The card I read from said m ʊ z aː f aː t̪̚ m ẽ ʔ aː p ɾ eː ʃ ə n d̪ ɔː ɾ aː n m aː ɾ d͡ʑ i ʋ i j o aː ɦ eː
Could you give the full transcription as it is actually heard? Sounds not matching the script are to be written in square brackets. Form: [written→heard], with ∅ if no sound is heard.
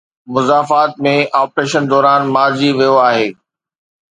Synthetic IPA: m ʊ z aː f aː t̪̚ m ẽ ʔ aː p ɾ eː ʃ ə n d̪ ɔː ɾ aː n m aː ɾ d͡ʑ i ʋ i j o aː ɦ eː